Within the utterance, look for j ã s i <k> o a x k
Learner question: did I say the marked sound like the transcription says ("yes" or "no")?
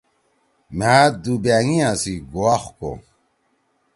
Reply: no